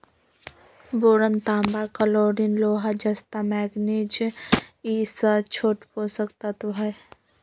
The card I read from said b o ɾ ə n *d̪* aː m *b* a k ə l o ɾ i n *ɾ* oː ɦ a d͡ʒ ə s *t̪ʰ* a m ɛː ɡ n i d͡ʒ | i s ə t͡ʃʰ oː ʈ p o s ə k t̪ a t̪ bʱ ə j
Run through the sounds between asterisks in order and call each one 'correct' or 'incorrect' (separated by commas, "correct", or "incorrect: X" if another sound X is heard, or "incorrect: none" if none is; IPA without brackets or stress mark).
incorrect: t̪, correct, incorrect: l, incorrect: t̪